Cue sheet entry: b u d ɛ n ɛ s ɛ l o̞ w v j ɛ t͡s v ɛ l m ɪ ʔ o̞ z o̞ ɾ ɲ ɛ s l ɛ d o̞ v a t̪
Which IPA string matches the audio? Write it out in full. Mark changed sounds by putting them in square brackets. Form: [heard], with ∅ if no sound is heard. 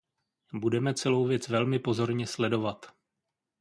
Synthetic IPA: b u d ɛ [m] ɛ [t͡s] ɛ l o̞ w v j ɛ t͡s v ɛ l m ɪ [p] o̞ z o̞ ɾ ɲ ɛ s l ɛ d o̞ v a t̪